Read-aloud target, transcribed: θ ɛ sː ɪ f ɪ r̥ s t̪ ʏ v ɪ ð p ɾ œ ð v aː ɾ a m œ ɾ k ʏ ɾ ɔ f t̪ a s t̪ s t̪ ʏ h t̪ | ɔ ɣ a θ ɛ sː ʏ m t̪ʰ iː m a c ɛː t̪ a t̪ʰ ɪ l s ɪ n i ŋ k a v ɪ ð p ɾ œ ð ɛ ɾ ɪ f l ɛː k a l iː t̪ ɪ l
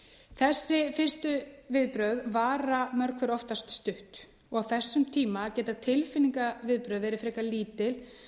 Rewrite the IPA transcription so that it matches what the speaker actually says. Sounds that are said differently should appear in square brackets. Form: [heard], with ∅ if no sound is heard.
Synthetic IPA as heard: θ ɛ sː ɪ f ɪ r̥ s t̪ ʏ v ɪ ð p ɾ œ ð v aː ɾ a m œ ɾ k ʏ ɾ ɔ f t̪ a s t̪ s t̪ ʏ h t̪ | ɔ ɣ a θ ɛ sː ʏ m t̪ʰ iː m a c ɛː t̪ a t̪ʰ ɪ l [f] ɪ n i ŋ k a v ɪ ð p ɾ œ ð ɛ ɾ ɪ f [ɾ] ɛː k a l iː t̪ ɪ l